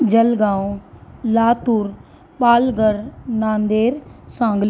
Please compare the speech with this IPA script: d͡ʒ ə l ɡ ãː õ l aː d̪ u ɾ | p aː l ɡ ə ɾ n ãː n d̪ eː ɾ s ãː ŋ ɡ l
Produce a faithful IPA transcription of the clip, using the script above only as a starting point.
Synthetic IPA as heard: d͡ʒ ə l ɡ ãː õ l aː t̪ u ɾ | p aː l ɡ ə ɾ n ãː n d̪ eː ɾ s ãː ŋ ɡ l